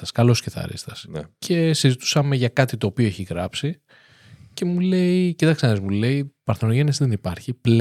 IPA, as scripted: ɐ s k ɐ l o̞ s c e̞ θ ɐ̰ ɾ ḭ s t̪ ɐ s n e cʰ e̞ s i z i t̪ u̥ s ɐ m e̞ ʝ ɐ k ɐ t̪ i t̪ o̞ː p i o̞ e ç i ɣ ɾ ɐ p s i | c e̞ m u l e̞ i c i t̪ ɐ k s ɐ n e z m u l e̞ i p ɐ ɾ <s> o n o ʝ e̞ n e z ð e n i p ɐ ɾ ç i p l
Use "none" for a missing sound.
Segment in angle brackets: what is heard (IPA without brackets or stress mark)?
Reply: θ